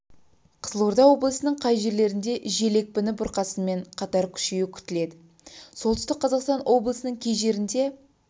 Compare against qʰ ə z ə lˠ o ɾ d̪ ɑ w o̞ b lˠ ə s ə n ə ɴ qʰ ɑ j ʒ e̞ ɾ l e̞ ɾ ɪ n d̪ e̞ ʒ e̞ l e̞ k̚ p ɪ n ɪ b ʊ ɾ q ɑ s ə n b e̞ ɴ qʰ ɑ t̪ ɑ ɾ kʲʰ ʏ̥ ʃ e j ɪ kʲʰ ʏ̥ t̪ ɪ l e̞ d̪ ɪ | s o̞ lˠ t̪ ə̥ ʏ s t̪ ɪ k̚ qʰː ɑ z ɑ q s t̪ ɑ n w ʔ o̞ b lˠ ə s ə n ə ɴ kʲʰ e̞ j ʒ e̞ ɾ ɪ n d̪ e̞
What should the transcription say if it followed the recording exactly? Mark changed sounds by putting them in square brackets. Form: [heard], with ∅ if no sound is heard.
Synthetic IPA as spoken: qʰ ə z ə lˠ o ɾ d̪ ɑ w o̞ b lˠ ə s ə n ə ɴ qʰ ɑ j ʒ e̞ ɾ l e̞ ɾ ɪ n d̪ e̞ ʒ e̞ l e̞ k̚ p ɪ n ɪ b ʊ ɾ q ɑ s ə n [m] e̞ ɴ qʰ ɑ t̪ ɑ ɾ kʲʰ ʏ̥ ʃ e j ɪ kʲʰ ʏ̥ t̪ ɪ l e̞ d̪ ɪ | s o̞ lˠ t̪ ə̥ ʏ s t̪ ɪ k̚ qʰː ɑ z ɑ q s t̪ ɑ n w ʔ o̞ b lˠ ə s ə n ə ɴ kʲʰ e̞ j ʒ e̞ ɾ ɪ n d̪ e̞